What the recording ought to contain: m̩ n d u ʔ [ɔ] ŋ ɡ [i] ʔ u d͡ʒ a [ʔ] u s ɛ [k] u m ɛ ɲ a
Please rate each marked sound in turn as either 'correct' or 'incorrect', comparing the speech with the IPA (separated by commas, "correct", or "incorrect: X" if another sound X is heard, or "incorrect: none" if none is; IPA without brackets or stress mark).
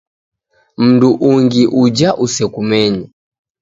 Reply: incorrect: u, correct, correct, correct